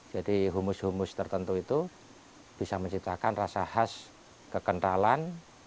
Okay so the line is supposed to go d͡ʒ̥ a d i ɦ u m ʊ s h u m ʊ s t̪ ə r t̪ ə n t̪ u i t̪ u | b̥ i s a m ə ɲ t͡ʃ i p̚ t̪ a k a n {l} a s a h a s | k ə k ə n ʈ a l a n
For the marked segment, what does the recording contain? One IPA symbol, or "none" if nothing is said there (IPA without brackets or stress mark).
r